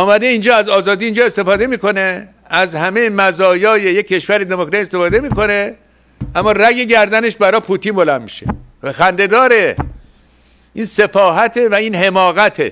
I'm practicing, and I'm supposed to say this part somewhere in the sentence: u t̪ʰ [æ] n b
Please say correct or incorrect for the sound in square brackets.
incorrect